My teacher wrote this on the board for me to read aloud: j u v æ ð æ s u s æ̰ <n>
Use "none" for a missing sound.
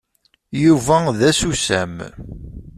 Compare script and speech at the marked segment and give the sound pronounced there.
m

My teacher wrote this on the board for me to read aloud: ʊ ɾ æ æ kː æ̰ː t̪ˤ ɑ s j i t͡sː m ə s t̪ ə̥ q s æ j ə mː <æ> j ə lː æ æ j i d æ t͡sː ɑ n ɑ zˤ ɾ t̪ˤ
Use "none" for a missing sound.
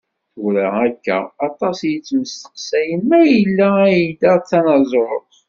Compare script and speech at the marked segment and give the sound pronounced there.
æ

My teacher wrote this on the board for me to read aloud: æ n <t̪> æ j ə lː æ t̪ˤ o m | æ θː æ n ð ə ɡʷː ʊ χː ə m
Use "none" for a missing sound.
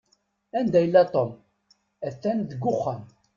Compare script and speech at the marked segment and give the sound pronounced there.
d̪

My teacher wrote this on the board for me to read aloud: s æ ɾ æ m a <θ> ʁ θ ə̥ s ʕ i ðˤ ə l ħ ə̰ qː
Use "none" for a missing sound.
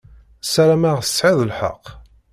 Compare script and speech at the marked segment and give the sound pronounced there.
none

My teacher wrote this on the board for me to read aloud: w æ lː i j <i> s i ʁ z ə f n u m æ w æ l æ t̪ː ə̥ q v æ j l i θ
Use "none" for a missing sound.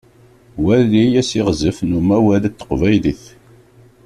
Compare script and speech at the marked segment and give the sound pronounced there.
æ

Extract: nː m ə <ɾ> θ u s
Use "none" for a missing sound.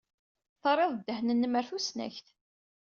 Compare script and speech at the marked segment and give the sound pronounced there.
ɾ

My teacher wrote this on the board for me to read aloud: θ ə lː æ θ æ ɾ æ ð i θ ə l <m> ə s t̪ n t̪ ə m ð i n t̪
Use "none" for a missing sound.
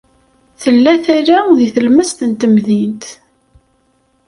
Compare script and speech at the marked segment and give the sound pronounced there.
m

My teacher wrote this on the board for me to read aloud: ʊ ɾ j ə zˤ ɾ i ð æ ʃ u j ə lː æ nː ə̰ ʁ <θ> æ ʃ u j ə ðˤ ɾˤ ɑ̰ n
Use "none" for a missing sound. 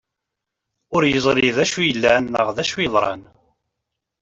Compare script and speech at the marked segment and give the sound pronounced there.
ð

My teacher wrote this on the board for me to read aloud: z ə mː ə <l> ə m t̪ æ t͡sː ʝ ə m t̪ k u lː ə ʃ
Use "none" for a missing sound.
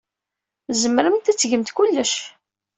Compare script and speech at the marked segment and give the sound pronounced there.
ɾ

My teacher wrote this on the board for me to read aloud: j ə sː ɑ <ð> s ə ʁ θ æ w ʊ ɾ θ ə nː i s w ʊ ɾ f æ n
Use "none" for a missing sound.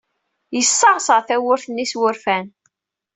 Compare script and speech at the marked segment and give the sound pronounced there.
ʁ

